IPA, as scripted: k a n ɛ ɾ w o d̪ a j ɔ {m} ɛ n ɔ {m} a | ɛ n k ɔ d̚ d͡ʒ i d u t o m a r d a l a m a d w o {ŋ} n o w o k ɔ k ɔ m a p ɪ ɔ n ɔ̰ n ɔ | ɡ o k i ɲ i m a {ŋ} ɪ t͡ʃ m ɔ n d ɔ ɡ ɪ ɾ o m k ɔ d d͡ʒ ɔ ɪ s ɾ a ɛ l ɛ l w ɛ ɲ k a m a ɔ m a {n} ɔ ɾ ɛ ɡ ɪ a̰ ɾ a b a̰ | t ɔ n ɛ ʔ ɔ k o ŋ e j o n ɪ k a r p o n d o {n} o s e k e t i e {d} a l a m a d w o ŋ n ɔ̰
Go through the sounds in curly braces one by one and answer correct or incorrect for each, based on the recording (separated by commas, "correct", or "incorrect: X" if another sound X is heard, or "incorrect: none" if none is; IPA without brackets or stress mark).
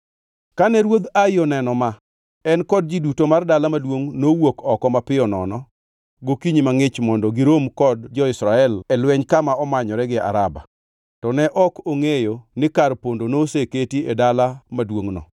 incorrect: n, correct, correct, correct, incorrect: ɲ, correct, correct